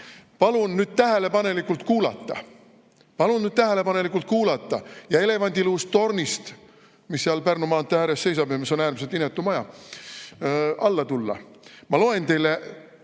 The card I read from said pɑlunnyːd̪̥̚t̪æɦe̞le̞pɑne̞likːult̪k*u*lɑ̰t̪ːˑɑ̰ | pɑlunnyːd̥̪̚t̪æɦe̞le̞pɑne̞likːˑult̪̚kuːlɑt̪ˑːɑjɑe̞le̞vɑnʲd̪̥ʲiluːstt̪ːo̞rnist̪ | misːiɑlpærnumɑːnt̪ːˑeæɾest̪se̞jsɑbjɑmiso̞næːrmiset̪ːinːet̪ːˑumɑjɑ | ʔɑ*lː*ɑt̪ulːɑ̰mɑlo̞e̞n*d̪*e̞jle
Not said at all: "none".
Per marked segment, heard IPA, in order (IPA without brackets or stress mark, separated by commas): uː, lː, t̪